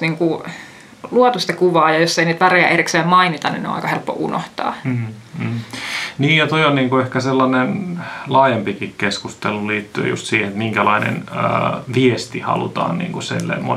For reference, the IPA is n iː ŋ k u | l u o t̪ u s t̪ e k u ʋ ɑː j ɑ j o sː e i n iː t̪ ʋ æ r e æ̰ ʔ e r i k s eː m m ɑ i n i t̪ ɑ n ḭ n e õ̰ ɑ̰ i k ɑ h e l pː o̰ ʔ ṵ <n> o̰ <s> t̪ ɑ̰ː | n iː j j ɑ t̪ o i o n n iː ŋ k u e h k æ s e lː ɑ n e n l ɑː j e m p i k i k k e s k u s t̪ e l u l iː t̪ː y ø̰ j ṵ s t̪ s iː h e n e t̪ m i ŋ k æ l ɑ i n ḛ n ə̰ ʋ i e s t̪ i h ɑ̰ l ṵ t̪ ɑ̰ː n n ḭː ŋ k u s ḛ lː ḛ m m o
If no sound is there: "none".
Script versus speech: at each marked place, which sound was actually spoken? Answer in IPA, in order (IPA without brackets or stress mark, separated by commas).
n, h